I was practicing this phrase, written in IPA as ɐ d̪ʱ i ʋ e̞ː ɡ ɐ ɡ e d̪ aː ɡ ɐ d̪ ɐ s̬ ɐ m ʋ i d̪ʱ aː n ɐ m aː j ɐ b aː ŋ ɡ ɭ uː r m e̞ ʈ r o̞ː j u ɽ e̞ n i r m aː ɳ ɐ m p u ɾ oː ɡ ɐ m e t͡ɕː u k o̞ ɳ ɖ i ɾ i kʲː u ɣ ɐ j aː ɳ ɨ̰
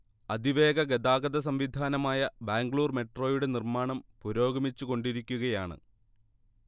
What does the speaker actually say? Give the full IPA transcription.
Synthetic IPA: ɐ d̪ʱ i ʋ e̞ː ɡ ɐ ɡ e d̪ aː ɡ ɐ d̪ ɐ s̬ ɐ m ʋ i d̪ʱ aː n ɐ m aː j ɐ b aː ŋ ɡ ɭ uː r m e̞ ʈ r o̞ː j u ɽ e̞ n i r m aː ɳ ɐ m p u ɾ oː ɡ ɐ m i t͡ɕː u k o̞ ɳ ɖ i ɾ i kʲː u ɣ ɐ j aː ɳ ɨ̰